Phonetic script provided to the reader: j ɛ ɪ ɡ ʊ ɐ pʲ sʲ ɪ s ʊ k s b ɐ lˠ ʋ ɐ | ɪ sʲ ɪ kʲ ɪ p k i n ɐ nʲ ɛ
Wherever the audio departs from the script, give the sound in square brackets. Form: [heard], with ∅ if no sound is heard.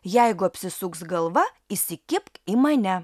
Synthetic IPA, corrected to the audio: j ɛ ɪ ɡ ʊ ɐ pʲ sʲ ɪ s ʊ k s [ɡ] ɐ lˠ ʋ ɐ | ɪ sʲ ɪ kʲ ɪ p k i [m] ɐ nʲ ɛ